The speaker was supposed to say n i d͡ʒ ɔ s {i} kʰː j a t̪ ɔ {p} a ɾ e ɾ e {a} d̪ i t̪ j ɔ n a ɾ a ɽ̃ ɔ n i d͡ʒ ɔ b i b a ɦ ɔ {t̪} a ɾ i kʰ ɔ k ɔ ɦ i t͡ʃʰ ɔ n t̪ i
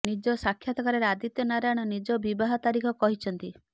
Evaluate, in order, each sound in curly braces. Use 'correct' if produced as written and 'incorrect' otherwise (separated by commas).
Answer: incorrect, incorrect, correct, correct